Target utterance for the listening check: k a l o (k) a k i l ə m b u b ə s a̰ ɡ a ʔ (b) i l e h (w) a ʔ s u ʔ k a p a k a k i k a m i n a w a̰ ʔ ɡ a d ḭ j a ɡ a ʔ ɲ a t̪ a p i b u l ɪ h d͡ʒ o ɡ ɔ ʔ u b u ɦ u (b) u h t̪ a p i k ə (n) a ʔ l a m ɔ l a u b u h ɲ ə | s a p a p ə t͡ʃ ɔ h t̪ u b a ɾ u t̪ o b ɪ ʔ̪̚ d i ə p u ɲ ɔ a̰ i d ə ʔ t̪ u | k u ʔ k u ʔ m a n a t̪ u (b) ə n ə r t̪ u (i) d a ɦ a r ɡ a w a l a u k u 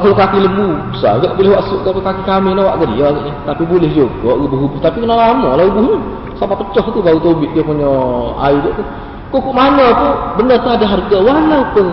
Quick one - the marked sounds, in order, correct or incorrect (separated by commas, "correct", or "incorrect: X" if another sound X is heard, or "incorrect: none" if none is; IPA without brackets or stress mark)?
correct, correct, correct, correct, correct, correct, incorrect: a